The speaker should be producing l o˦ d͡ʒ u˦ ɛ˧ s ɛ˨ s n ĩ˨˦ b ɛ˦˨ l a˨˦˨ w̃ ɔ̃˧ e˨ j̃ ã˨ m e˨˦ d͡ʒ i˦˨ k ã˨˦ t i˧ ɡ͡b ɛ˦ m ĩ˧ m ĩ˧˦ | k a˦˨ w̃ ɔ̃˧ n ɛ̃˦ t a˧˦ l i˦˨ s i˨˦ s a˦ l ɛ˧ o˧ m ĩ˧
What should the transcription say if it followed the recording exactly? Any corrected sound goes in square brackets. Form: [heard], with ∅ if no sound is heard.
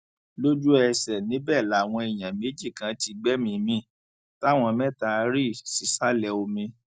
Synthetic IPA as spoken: l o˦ d͡ʒ u˦ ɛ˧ s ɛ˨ [∅] n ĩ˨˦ b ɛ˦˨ l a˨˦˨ w̃ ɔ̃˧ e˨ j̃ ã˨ m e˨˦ d͡ʒ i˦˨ k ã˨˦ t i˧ ɡ͡b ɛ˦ m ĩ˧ m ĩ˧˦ | [t] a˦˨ w̃ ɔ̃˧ [m] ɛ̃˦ t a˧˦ [ɾ] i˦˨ s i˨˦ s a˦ l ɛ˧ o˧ m ĩ˧